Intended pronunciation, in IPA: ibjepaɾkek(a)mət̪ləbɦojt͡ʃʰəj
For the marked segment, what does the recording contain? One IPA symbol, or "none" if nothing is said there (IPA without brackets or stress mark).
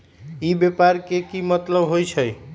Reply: i